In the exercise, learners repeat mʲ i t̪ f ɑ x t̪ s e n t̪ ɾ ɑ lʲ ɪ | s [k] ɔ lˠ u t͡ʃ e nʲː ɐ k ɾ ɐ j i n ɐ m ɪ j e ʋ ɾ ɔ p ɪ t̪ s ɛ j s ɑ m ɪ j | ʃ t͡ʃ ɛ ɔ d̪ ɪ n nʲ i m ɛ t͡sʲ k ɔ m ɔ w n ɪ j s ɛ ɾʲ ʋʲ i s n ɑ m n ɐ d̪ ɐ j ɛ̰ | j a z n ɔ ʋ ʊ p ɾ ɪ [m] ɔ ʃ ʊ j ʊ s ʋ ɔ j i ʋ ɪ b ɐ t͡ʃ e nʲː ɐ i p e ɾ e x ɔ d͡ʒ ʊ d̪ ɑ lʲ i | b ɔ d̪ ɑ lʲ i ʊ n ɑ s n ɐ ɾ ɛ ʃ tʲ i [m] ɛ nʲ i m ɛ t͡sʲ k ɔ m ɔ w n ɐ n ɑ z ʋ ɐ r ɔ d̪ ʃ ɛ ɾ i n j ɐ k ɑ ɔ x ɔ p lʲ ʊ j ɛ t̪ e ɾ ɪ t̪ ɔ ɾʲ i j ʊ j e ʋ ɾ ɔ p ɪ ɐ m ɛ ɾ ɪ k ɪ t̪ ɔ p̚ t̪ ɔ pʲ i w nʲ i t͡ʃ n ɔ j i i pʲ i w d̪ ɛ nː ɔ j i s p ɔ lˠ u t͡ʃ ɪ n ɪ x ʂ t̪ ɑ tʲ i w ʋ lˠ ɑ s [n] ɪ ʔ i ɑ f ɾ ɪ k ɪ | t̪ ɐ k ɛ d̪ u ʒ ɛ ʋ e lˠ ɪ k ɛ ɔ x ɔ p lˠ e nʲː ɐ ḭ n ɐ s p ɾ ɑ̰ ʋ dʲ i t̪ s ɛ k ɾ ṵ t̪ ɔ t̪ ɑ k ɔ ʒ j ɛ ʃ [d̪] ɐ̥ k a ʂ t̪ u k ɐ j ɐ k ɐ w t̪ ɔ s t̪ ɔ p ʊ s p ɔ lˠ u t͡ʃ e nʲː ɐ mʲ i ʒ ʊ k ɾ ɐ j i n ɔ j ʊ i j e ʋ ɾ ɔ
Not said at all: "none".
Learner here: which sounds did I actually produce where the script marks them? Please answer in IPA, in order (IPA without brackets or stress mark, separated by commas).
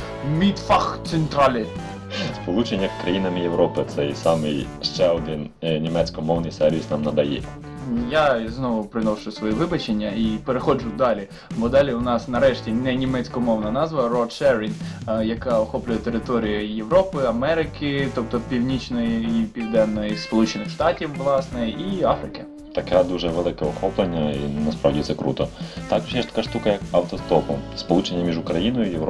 p, n, n, n, t̪